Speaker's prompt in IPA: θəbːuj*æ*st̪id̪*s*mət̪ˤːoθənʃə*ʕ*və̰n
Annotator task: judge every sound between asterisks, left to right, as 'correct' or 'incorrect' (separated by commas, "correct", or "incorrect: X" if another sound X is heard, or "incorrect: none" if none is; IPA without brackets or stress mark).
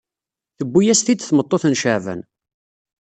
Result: correct, incorrect: θ, correct